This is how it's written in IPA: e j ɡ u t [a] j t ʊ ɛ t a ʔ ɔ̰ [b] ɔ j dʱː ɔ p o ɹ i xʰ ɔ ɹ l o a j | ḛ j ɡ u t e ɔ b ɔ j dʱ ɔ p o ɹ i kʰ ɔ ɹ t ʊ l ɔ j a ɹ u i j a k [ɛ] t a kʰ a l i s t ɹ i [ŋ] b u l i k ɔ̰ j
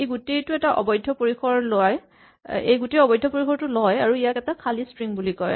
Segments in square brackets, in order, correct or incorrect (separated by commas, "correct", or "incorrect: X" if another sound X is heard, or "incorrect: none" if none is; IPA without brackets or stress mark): incorrect: e, correct, correct, correct